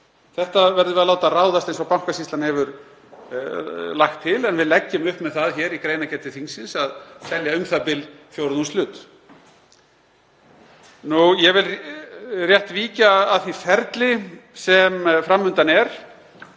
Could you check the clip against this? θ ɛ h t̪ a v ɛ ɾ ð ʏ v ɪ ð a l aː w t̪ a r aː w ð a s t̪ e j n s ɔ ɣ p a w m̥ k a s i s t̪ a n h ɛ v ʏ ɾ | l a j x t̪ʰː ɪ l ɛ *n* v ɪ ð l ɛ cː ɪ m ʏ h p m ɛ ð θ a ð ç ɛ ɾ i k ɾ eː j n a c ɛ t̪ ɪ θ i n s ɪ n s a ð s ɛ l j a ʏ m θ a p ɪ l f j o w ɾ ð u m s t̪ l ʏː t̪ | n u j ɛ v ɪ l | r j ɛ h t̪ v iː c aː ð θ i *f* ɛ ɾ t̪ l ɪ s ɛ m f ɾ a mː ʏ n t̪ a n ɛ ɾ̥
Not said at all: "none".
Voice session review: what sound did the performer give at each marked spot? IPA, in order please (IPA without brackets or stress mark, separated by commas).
n, f